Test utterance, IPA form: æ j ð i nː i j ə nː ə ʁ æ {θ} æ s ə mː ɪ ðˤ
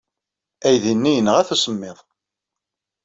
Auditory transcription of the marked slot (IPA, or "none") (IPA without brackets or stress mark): θ